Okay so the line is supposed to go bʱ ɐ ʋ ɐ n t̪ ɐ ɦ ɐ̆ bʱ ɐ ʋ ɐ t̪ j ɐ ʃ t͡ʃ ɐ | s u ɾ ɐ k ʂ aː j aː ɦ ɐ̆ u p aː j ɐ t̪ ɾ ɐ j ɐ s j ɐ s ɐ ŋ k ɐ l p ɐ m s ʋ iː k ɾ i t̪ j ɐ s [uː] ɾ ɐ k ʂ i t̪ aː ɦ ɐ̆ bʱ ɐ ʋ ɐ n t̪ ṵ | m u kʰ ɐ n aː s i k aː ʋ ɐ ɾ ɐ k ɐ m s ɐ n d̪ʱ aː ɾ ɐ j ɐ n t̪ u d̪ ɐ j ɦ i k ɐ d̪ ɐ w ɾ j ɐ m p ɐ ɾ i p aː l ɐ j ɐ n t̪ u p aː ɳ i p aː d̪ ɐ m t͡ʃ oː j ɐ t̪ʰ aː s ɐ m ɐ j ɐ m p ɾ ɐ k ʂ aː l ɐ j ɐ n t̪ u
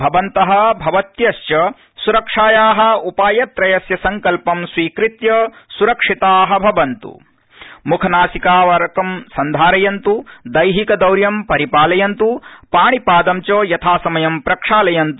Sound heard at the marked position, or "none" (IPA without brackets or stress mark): u